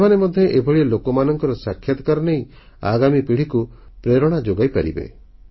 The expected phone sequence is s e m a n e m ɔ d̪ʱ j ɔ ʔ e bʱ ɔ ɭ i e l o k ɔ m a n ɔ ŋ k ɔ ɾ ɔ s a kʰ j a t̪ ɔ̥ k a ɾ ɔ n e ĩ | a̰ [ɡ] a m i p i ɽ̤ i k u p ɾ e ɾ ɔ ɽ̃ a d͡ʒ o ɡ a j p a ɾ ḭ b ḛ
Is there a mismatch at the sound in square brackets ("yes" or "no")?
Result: no